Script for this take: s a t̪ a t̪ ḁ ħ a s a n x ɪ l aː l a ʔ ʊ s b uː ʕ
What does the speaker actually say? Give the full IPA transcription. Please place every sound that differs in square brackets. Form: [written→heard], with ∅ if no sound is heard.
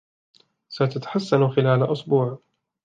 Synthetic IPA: s a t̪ a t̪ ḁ ħ a [s→sː] a n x ɪ l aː l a ʔ ʊ s b uː ʕ